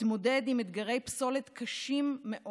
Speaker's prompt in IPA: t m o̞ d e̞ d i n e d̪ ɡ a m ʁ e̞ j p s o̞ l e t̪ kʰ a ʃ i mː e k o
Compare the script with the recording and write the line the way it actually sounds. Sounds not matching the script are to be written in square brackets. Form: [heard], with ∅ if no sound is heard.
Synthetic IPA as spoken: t m o̞ d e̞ d i [m] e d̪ ɡ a [∅] ʁ e̞ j p s o̞ l e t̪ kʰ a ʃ i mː e [ʔ] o